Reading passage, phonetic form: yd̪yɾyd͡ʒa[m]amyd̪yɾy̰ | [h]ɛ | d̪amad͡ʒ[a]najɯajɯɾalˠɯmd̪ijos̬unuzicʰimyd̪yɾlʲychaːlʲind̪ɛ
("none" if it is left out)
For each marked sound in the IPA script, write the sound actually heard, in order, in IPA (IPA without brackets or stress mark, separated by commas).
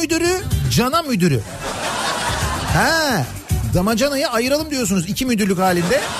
n, h, a